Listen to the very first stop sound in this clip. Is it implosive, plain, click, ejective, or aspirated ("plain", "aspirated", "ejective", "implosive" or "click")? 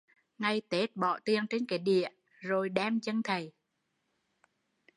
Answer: plain